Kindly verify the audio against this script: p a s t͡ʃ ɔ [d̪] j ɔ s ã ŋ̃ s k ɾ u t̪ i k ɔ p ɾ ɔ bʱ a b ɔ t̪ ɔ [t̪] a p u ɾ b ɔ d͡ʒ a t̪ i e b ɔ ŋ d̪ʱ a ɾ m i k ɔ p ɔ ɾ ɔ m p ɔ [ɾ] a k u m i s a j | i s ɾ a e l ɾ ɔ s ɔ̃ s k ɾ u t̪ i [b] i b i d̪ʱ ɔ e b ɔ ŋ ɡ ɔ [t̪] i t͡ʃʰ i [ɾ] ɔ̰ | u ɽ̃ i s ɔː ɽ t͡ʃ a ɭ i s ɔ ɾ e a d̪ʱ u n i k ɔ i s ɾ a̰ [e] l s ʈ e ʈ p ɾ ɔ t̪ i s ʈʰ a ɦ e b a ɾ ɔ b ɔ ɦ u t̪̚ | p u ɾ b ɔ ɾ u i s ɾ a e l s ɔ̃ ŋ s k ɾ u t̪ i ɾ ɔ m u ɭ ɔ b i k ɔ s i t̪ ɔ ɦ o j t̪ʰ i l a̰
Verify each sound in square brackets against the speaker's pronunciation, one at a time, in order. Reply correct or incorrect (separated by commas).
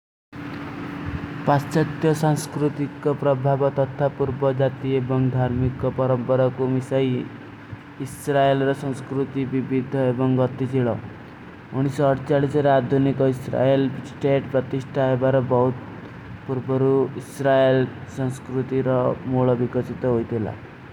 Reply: incorrect, incorrect, correct, correct, correct, incorrect, correct